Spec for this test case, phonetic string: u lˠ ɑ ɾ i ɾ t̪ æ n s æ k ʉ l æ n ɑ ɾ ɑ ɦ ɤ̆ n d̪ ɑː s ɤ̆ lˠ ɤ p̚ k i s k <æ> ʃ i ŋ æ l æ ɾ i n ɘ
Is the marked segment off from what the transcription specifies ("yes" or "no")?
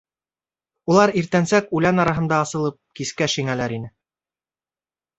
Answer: no